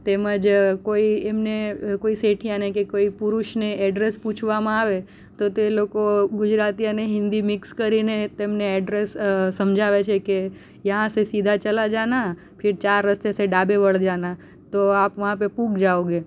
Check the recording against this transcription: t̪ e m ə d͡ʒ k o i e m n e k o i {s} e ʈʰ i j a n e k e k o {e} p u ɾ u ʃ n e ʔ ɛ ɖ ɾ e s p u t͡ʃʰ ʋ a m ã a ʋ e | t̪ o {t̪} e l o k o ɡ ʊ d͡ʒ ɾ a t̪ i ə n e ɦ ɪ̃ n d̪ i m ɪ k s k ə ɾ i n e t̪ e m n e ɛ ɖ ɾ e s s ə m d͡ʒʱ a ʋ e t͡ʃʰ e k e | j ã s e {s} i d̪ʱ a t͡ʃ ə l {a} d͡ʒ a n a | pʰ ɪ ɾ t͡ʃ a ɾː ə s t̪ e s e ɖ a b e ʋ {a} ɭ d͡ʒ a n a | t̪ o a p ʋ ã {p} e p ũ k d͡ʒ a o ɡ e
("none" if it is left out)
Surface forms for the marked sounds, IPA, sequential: s, i, t̪, s, a, ə, p

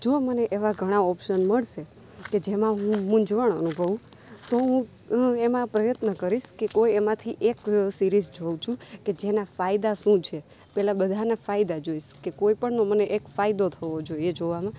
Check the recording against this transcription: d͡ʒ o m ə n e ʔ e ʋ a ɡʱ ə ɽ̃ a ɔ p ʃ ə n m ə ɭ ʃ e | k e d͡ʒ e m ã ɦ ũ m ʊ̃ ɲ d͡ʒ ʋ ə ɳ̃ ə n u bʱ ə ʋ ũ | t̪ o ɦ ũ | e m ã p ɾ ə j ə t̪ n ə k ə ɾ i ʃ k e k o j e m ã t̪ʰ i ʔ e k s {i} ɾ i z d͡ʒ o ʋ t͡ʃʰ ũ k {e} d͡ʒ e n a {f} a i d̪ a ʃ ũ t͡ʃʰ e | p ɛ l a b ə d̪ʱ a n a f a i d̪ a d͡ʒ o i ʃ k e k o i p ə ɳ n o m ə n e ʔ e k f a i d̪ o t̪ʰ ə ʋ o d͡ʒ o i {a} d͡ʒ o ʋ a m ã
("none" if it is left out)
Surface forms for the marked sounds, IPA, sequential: i, e, f, e

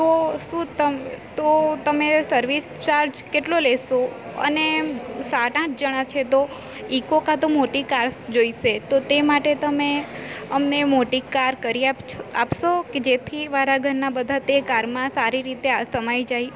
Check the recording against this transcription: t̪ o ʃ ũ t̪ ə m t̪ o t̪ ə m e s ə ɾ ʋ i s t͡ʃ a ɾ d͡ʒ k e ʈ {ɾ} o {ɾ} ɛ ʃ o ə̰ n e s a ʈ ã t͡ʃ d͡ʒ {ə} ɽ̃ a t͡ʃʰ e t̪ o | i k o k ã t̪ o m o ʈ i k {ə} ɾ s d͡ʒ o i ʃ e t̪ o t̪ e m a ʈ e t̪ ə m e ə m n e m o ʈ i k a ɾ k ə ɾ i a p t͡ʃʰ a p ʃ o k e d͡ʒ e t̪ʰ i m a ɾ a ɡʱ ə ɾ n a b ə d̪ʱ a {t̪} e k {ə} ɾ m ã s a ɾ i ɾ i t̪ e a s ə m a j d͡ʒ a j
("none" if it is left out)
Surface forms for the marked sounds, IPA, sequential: l, l, ə, a, t̪, a

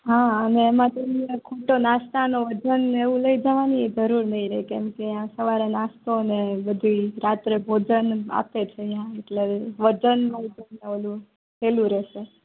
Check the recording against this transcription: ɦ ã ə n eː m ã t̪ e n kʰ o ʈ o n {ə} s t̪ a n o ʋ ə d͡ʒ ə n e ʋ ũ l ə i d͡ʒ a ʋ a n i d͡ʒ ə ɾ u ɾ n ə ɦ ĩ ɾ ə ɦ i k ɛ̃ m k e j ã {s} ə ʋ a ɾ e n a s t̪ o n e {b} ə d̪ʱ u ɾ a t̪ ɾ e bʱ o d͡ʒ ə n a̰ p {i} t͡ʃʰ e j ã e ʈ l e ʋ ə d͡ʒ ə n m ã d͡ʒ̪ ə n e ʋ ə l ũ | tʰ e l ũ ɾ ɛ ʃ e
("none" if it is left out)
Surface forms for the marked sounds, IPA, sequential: a, s, b, e

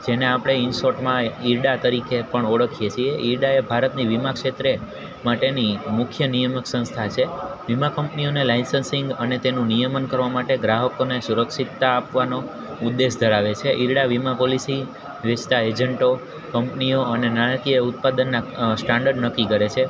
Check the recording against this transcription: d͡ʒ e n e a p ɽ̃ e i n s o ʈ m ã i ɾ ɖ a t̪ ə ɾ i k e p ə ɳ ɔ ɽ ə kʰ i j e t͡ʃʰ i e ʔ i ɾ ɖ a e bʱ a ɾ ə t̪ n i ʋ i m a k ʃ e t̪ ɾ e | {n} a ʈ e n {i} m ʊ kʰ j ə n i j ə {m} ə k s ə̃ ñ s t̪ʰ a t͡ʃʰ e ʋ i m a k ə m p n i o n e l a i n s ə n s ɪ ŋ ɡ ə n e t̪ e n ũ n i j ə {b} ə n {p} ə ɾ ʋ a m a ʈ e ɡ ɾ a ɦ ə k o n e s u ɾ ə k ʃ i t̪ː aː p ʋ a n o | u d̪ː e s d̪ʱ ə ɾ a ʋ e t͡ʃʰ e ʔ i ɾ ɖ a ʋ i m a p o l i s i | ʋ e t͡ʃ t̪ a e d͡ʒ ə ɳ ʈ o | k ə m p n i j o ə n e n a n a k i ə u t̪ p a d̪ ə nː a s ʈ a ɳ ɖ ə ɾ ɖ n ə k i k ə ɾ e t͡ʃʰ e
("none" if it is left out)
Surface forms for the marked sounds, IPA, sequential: m, i, m, m, k

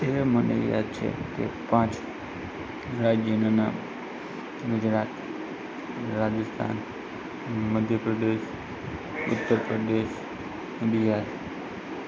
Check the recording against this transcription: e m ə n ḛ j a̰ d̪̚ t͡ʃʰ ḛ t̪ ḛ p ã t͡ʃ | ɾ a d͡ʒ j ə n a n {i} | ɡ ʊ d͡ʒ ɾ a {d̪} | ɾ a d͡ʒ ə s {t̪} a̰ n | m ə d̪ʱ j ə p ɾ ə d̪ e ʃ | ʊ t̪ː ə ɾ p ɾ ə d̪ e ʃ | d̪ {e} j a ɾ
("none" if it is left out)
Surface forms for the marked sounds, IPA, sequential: a, t̪, t̪ʰ, i

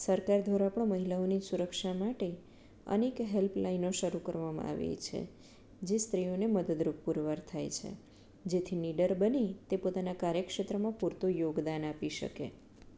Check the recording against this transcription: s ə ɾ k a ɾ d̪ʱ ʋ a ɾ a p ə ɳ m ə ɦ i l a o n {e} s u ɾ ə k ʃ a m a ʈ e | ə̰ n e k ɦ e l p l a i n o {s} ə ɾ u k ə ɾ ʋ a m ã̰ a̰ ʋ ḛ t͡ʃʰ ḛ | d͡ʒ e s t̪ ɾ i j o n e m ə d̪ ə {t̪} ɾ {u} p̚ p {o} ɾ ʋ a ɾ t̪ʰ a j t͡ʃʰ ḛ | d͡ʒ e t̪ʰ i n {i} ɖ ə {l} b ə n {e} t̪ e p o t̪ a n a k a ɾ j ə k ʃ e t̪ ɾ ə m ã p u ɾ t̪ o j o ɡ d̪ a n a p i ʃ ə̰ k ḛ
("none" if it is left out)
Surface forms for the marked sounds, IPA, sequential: i, ʃ, d̪, u, u, i, ɾ, i

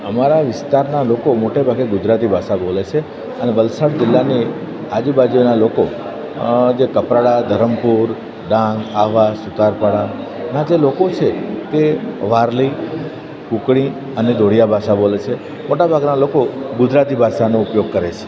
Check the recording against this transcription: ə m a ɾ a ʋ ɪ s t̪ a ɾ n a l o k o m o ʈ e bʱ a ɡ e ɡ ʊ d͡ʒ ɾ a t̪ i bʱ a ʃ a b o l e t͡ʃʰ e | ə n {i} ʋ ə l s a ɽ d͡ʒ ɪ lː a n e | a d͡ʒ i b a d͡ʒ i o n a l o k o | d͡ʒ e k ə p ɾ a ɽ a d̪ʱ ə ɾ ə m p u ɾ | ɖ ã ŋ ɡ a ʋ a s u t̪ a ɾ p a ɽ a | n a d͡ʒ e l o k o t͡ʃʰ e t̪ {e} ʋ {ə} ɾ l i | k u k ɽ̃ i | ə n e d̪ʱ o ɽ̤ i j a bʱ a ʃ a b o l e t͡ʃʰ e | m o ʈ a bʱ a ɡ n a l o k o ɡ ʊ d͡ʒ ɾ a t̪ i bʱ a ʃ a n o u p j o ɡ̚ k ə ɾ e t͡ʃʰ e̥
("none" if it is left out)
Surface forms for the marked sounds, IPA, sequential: e, e, a

